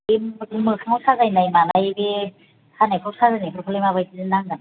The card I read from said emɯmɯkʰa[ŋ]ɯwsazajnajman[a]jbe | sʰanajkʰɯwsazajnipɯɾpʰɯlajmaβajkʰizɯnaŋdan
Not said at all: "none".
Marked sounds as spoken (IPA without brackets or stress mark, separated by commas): ŋ, a